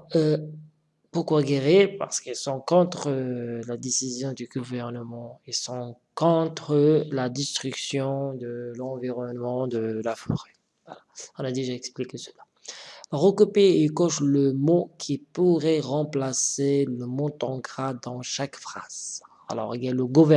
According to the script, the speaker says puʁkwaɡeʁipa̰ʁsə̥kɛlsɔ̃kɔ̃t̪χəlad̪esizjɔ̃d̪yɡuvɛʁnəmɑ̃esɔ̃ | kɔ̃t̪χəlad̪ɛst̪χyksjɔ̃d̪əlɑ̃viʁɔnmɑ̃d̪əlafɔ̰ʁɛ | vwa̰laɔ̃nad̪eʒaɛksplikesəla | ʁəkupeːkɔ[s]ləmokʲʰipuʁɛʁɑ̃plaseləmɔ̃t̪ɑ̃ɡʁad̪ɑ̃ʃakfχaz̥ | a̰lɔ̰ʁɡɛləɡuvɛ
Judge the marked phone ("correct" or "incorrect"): incorrect